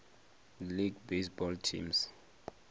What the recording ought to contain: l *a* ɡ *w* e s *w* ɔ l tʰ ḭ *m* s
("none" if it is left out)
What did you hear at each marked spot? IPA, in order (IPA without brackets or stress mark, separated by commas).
i, b, b, m